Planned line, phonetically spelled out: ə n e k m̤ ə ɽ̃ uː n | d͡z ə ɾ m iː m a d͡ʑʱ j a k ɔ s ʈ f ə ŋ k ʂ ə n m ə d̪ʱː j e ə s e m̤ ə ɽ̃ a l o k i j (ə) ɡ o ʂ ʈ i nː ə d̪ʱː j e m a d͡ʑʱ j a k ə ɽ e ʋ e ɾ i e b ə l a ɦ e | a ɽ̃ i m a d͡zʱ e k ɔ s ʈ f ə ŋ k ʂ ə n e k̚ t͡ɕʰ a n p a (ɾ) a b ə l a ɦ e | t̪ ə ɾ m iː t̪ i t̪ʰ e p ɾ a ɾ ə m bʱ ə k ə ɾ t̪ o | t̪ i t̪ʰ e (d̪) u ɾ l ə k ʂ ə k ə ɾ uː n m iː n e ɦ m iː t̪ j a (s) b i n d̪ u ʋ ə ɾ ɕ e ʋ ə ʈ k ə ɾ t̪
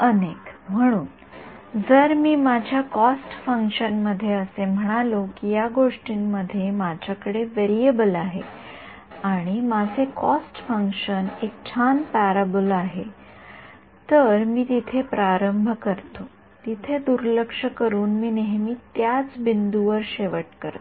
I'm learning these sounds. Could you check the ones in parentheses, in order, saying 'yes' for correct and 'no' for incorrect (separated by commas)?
no, yes, yes, no